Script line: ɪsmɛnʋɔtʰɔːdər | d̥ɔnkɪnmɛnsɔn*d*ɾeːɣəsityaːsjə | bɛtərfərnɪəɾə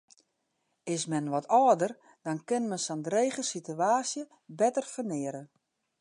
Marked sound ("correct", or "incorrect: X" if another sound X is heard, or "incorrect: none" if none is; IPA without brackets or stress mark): correct